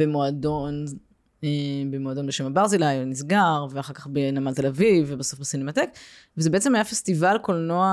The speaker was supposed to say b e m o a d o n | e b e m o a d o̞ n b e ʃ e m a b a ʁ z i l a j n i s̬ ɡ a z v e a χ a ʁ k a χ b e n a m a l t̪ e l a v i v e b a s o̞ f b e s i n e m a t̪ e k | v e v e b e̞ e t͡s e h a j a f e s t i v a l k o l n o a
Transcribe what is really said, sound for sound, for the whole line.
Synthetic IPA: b e m o a d o n | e b e m o a d o̞ n b e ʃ e m a b a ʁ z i l a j n i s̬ ɡ a ʁ v e a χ a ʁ k a χ b e n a m a l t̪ e l a v i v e b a s o̞ f b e s i n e m a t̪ e k | v e z e b e̞ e t͡s e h a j a f e s t i v a l k o l n o a